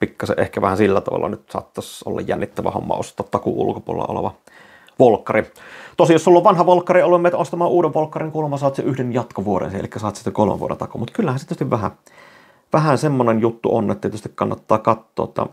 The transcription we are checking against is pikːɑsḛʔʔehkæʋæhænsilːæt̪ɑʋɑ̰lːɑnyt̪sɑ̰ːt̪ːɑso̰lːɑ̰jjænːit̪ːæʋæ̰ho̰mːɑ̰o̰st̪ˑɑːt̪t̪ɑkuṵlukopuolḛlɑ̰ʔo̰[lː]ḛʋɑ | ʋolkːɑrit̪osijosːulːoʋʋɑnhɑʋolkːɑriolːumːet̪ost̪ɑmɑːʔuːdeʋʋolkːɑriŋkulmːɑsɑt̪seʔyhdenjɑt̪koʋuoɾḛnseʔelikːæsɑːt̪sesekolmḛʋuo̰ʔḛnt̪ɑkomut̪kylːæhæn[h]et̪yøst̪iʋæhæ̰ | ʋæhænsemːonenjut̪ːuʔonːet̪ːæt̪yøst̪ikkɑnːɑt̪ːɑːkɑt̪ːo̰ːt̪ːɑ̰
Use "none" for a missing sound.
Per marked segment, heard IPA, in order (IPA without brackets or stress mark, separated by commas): l, s